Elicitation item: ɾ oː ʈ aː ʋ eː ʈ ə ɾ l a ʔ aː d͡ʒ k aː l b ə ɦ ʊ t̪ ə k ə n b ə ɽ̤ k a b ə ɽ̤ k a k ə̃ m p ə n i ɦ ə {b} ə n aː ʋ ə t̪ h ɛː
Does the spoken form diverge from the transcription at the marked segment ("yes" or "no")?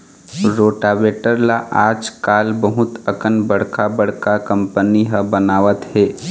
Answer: no